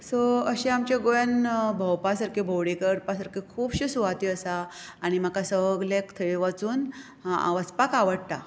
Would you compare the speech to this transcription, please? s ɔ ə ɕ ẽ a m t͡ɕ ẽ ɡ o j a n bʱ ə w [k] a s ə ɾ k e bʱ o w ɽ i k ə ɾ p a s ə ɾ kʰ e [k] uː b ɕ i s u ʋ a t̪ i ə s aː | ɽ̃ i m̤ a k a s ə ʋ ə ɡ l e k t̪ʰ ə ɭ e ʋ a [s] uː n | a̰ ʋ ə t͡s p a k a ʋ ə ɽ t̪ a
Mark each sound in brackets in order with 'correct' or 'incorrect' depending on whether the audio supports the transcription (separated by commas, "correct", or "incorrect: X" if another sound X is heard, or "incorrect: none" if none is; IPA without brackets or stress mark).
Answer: incorrect: p, incorrect: kʰ, incorrect: t͡s